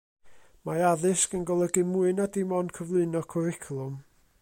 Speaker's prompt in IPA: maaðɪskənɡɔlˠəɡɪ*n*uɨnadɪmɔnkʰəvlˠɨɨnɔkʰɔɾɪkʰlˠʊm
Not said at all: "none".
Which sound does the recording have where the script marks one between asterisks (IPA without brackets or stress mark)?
m